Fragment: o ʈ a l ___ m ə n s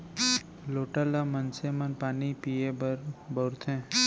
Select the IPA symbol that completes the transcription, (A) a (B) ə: A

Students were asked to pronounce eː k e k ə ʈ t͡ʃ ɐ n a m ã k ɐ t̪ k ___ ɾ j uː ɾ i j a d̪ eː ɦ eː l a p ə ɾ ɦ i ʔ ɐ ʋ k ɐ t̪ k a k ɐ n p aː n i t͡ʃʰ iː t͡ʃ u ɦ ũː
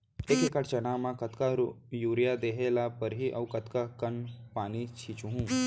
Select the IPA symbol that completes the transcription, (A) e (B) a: B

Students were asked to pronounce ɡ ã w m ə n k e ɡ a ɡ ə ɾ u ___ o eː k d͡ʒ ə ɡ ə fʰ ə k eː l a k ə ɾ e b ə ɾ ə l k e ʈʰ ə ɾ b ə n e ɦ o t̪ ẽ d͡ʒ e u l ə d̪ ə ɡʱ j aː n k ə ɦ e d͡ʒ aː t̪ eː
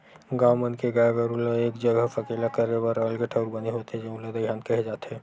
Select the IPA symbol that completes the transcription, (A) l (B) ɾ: A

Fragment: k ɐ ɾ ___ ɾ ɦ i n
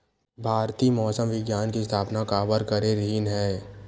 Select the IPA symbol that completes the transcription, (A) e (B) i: A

